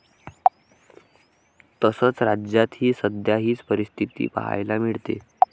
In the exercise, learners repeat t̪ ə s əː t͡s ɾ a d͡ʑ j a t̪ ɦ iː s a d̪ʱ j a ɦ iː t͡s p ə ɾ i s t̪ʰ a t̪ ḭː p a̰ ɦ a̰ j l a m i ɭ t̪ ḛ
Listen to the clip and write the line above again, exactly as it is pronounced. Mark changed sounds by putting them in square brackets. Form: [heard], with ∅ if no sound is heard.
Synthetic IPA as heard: t̪ ə s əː t͡s ɾ a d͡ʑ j a t̪ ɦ iː s [ə] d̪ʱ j a ɦ iː t͡s p ə ɾ i s t̪ʰ [i] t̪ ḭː p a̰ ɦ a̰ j l a m i ɭ t̪ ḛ